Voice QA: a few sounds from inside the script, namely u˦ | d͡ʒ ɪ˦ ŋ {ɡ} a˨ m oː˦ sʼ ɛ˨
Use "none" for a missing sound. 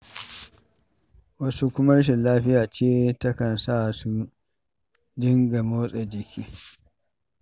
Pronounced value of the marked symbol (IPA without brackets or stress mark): ɡ